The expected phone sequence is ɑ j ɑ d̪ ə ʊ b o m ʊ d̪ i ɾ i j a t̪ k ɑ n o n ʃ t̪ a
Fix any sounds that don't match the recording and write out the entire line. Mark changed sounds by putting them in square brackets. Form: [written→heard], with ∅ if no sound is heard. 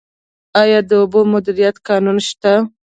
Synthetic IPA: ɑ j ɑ d̪ ə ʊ b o m ʊ d̪ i ɾ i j a t̪ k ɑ n [o→u] n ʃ t̪ a